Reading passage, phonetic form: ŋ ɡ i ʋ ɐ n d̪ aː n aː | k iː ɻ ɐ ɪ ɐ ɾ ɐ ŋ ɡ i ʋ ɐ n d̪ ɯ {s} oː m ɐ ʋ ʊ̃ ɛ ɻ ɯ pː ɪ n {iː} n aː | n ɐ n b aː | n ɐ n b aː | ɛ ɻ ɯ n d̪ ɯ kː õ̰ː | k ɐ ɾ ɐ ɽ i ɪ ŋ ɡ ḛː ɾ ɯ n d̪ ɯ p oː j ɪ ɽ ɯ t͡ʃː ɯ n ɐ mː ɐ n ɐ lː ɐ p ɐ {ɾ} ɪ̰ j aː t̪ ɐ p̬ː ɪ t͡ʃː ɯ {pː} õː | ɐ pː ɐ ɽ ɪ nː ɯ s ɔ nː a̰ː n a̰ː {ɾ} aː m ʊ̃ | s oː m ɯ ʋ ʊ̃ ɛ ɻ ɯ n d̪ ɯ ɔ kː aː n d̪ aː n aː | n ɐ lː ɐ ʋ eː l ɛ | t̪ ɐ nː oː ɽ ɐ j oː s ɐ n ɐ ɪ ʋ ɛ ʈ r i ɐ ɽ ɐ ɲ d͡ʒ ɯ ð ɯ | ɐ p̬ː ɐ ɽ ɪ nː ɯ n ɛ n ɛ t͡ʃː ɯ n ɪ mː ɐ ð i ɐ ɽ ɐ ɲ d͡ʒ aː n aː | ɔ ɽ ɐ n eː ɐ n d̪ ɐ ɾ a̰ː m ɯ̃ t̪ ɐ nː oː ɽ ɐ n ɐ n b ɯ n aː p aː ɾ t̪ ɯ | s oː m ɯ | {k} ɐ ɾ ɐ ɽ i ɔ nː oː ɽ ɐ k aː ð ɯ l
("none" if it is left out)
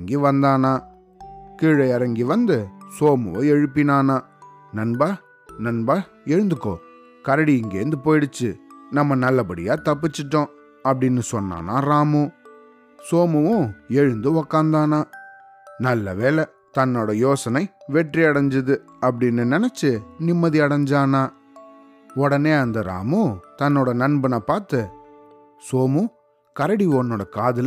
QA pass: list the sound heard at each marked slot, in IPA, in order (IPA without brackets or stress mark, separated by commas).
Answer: s, aː, ɽ, ʈː, ɾ, k